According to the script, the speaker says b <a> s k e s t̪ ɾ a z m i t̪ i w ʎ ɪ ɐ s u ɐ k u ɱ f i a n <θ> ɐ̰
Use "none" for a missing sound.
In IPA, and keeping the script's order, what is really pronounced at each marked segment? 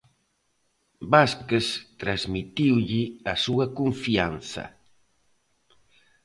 a, θ

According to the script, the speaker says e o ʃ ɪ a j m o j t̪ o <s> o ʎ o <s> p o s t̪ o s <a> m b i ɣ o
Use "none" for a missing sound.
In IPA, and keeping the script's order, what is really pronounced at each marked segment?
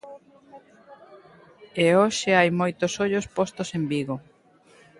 s, s, e

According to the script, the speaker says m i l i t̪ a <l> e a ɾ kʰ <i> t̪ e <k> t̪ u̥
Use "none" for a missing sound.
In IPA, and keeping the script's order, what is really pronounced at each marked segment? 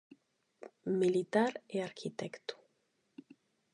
ɾ, i, k

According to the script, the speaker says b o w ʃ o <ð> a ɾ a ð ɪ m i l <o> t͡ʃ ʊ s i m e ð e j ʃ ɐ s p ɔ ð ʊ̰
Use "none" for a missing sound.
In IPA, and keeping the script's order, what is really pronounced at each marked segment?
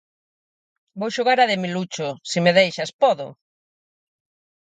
ɣ, u

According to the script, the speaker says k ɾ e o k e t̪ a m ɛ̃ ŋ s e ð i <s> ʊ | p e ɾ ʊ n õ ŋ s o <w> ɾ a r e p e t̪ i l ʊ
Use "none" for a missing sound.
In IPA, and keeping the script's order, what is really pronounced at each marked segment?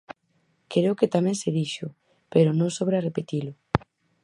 ʃ, β

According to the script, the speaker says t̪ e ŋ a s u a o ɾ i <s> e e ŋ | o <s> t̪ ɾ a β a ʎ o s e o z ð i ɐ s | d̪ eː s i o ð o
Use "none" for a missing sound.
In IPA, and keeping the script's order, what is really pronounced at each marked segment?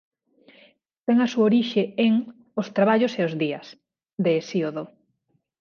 ʃ, s

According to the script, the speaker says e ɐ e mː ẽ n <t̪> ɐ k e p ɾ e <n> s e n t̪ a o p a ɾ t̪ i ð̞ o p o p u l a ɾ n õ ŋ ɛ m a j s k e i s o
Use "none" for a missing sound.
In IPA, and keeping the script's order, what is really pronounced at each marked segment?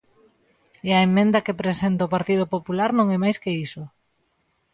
d̪, none

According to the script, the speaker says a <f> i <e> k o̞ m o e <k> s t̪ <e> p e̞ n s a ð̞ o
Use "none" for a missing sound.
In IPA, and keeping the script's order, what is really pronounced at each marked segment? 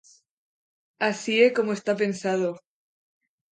s, e, none, a

